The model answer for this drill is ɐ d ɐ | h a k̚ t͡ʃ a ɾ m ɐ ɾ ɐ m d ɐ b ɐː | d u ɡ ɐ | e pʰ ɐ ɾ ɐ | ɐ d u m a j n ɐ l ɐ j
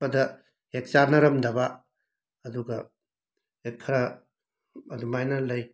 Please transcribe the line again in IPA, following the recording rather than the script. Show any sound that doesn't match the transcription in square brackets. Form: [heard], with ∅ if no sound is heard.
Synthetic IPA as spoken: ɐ d ɐ | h [e] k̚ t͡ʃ a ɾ [n] ɐ ɾ ɐ m d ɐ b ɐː | d u ɡ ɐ | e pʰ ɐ ɾ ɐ | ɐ d u m a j n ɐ l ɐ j